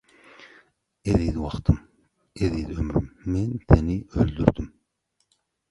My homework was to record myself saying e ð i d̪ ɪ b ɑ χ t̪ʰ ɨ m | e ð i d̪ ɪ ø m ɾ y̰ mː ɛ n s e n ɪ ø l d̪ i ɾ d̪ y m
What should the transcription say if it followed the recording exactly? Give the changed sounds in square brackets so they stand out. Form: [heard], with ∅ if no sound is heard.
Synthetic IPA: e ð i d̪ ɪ [w] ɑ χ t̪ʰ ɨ m | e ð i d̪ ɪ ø m ɾ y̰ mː ɛ n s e n ɪ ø l d̪ [y] ɾ d̪ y m